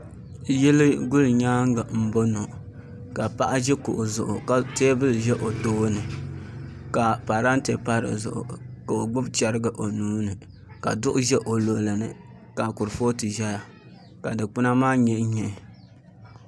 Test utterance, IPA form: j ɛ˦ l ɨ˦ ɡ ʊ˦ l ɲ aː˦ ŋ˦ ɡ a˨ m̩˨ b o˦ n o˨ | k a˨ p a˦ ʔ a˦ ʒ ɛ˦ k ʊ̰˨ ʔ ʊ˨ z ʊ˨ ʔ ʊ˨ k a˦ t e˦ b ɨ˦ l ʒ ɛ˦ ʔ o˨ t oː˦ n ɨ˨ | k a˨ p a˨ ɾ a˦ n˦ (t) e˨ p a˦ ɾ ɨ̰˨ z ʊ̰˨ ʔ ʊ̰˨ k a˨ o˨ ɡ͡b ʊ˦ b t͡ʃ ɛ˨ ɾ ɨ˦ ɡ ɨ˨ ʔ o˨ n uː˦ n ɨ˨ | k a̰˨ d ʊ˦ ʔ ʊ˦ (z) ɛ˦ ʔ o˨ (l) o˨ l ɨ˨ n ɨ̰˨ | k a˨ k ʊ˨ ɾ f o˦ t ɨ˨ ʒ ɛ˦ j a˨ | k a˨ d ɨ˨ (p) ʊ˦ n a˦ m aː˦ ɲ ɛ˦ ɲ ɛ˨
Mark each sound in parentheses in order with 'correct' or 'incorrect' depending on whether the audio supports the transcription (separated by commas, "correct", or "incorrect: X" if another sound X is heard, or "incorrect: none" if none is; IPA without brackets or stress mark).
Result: correct, incorrect: ʒ, correct, incorrect: k͡p